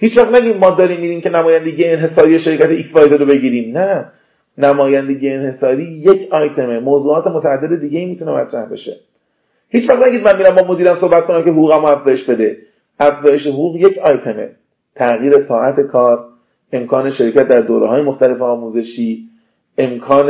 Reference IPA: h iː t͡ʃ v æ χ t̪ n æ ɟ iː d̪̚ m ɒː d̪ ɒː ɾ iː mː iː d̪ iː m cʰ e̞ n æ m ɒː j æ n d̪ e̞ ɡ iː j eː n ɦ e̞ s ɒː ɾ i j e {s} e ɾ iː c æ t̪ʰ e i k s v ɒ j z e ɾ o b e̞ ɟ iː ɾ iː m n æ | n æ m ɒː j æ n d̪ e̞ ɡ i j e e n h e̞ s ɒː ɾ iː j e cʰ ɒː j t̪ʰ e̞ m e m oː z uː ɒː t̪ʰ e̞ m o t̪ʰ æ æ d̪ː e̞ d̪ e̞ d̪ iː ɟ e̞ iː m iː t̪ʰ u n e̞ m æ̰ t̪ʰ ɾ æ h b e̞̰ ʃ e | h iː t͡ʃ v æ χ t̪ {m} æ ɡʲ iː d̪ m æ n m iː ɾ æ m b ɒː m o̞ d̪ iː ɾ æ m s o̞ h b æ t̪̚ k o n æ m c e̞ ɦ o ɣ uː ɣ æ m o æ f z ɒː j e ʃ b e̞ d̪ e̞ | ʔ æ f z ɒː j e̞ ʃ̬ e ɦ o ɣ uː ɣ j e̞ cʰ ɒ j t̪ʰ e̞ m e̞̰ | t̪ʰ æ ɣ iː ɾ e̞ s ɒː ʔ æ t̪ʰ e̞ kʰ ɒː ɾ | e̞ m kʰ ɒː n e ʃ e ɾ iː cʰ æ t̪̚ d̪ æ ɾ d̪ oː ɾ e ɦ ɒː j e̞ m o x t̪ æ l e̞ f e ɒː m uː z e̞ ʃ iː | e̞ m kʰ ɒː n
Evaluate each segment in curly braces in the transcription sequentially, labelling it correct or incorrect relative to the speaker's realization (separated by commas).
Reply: incorrect, incorrect